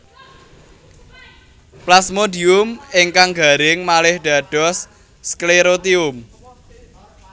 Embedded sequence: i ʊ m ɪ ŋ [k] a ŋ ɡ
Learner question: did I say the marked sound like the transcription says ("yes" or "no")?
yes